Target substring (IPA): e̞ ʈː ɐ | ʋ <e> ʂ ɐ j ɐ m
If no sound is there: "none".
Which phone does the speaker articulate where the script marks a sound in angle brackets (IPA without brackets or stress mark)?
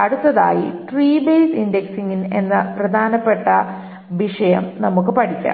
i